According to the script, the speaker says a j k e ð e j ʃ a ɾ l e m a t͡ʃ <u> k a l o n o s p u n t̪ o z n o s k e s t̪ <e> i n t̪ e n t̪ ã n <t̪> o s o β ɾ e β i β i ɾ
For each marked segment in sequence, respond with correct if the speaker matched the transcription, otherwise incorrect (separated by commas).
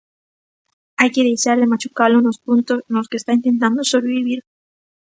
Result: correct, incorrect, incorrect